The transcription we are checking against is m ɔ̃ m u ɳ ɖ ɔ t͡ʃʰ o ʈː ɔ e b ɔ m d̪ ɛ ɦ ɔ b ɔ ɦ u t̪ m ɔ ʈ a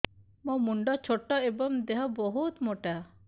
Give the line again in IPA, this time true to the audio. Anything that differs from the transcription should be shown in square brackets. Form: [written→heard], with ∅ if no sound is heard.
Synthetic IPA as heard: m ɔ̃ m u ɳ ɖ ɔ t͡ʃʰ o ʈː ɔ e b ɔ m d̪ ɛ ɦ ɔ b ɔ ɦ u t̪ m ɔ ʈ a